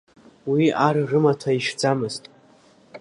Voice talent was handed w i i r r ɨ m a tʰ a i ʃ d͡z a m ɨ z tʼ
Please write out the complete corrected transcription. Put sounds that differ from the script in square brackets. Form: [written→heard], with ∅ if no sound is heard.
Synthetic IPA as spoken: w i [i→a] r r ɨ m a tʰ a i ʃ d͡z a m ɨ z tʼ